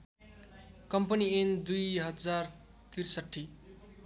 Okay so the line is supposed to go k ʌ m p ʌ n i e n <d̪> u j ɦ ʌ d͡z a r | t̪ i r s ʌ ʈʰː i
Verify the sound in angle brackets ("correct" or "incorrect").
correct